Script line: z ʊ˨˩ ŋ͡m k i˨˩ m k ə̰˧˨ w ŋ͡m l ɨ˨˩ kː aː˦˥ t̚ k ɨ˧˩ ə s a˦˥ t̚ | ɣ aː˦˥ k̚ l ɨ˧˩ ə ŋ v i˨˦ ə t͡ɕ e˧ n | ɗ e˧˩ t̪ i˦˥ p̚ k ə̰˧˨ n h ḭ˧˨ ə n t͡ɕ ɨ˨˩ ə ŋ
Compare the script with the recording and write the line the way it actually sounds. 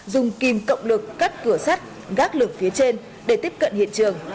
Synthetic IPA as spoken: z ʊ˨˩ ŋ͡m k i˨˩ m k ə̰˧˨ w ŋ͡m l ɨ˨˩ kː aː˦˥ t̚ k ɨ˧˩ ə s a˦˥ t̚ | ɣ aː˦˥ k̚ l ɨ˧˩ ə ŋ f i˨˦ ə t͡ɕ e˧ n | ɗ e˧˩ t̪ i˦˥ p̚ k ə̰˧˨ n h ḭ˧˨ ə n t͡ɕ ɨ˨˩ ə ŋ